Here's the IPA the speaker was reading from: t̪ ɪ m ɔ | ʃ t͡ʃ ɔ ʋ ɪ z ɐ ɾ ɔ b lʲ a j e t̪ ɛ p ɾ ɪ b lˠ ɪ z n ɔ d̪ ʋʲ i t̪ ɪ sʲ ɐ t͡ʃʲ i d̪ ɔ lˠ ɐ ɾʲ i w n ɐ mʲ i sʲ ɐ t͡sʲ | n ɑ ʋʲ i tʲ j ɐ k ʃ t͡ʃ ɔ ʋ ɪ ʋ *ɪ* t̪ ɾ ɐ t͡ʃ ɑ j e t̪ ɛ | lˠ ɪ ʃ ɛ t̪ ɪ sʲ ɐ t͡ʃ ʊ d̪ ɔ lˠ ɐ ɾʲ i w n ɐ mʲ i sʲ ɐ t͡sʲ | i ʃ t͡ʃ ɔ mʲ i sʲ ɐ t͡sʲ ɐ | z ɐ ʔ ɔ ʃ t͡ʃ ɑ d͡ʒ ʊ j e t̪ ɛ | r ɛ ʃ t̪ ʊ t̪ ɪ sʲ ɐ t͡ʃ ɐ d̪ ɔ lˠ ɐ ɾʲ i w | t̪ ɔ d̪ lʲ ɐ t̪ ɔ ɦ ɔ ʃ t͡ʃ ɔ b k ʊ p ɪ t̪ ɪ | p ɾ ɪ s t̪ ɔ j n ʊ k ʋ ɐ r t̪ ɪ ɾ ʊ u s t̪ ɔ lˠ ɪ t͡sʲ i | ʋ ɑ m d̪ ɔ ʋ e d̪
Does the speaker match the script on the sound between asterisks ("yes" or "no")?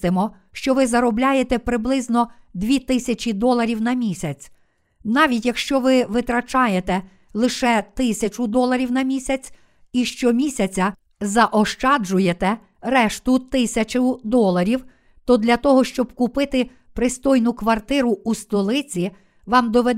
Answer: yes